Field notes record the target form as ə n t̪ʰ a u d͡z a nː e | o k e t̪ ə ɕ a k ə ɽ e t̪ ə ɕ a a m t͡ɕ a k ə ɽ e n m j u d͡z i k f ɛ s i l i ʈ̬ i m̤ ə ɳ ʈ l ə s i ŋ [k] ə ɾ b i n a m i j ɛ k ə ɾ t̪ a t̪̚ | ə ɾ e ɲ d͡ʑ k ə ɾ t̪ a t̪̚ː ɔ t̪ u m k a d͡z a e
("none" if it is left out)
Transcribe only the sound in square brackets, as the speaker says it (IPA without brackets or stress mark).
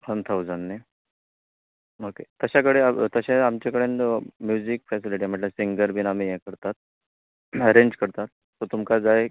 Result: ɡ